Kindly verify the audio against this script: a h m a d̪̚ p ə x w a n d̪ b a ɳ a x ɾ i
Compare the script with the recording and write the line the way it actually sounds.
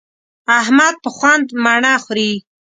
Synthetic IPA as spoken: a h m a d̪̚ p ə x w a n d̪ m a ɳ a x ɾ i